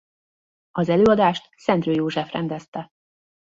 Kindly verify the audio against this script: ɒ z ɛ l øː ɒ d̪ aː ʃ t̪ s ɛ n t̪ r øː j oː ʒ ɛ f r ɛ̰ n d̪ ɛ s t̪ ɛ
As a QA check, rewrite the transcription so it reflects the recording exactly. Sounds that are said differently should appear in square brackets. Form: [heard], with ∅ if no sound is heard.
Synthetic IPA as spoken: ɒ z ɛ l øː ɒ d̪ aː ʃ t̪ s ɛ n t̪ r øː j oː ʒ ɛ f r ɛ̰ n d̪ ɛ s t̪ ɛ